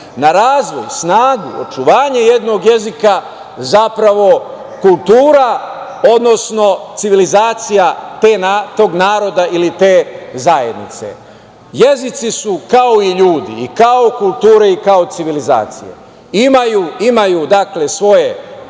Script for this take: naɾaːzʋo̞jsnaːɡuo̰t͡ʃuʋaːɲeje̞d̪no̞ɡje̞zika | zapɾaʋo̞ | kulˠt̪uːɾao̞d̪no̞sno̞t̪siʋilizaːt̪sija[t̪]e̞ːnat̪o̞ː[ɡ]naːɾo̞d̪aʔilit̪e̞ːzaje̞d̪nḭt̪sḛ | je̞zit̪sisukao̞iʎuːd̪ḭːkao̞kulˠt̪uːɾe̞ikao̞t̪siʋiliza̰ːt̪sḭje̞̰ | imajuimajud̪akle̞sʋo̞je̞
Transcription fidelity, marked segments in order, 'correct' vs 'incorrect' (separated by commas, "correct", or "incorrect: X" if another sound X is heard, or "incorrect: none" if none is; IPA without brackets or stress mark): correct, correct